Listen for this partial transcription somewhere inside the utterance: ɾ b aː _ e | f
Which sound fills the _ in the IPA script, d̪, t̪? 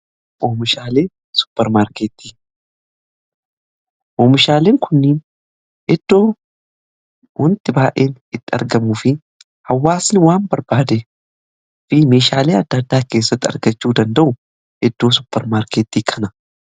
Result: d̪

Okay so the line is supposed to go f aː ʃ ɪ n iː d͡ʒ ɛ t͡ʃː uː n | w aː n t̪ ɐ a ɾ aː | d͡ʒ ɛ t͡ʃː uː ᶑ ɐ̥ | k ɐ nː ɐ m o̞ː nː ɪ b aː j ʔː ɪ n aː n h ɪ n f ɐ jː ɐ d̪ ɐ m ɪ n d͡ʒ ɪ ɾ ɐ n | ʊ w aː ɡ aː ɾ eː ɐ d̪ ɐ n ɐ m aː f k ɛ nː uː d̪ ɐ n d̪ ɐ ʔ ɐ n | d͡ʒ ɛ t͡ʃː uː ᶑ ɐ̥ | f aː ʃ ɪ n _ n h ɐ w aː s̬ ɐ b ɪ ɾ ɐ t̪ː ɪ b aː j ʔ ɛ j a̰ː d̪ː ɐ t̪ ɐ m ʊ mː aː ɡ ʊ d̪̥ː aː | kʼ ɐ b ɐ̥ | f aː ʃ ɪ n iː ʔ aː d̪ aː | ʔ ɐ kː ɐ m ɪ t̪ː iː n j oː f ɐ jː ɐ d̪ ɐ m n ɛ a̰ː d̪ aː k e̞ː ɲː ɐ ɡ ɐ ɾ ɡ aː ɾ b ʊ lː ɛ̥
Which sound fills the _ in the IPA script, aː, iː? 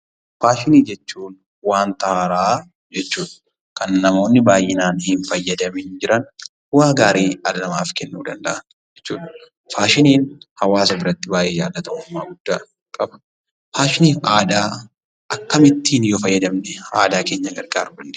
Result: iː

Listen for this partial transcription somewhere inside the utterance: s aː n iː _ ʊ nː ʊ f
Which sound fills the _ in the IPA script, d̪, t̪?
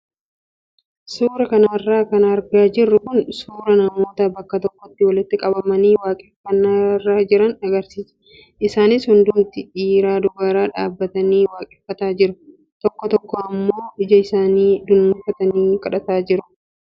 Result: d̪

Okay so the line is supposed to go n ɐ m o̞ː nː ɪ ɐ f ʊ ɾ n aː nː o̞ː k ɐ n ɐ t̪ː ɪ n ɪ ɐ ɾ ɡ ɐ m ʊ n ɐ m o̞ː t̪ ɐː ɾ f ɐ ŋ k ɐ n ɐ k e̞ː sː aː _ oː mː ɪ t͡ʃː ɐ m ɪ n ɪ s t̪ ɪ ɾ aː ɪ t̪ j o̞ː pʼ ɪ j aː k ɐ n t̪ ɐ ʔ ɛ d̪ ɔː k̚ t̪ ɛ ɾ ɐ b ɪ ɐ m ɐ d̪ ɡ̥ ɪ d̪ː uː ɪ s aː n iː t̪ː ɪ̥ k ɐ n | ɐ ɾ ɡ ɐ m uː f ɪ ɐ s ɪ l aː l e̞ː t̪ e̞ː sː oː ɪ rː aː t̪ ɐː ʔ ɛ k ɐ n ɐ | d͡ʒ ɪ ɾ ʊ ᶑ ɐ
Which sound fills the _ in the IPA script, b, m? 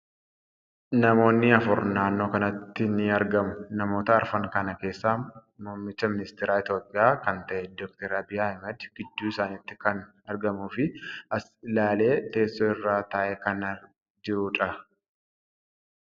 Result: m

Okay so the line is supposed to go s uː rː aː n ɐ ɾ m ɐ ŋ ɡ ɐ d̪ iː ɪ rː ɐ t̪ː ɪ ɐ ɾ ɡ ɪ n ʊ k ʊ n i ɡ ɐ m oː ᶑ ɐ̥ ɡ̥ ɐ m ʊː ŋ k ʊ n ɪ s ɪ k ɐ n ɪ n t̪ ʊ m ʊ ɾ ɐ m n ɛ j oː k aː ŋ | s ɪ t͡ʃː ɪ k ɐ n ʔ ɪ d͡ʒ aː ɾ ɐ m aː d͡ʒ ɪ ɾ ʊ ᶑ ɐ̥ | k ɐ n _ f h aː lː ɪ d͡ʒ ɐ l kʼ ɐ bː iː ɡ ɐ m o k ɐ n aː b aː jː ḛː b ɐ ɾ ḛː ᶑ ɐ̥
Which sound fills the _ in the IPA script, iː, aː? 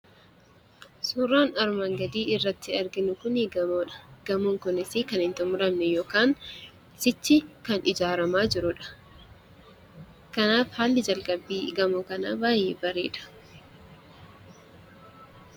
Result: aː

